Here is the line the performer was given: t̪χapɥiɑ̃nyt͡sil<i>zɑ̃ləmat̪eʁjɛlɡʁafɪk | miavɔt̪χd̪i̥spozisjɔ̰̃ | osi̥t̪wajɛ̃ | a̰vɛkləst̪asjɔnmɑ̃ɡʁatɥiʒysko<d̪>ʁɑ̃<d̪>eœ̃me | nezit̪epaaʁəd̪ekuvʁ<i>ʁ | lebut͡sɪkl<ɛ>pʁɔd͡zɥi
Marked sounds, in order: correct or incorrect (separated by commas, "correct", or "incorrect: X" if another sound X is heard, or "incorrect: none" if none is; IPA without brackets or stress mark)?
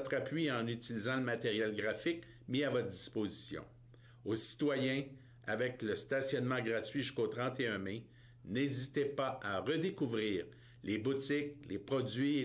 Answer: correct, incorrect: t̪, incorrect: t̪, incorrect: iː, incorrect: e